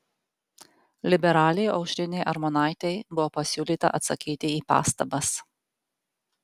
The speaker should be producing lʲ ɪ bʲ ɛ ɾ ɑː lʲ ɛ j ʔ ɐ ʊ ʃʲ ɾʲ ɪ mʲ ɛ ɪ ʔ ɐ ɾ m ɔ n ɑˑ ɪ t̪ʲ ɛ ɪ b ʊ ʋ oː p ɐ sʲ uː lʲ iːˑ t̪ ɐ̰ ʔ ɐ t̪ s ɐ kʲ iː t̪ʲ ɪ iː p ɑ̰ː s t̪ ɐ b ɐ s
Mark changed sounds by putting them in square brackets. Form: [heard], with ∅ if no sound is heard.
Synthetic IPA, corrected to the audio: lʲ ɪ bʲ ɛ ɾ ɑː lʲ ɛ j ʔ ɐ ʊ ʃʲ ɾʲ ɪ [nʲ] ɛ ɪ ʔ ɐ ɾ m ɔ n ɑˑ ɪ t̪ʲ ɛ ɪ b ʊ ʋ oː p ɐ sʲ uː lʲ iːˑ t̪ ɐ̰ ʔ ɐ t̪ s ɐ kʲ iː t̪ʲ ɪ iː p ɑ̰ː s t̪ ɐ b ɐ s